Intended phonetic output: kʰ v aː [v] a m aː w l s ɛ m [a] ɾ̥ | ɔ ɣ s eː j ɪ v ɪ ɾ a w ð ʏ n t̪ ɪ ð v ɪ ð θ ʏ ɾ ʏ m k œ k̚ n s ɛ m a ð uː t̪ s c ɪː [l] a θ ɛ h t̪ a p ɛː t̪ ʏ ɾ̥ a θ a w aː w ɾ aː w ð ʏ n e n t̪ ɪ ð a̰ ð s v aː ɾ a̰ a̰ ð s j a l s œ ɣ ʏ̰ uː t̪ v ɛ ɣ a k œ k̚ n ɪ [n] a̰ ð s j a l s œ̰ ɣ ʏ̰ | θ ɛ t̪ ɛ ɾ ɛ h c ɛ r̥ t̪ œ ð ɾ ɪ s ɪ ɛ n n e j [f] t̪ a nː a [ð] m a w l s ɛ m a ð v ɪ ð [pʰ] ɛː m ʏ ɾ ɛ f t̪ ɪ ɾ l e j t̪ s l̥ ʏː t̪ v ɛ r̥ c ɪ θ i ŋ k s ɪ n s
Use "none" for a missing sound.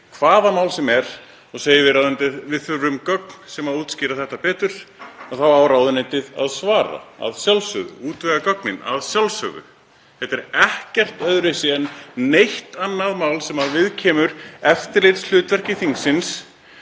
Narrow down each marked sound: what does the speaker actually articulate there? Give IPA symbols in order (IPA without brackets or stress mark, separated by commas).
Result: ð, ɛ, ɾ, n, h, ð, cʰ